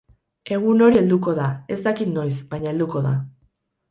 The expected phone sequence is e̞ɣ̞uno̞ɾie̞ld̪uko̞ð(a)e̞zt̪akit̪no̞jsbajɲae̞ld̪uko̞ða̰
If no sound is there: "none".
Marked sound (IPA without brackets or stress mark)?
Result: a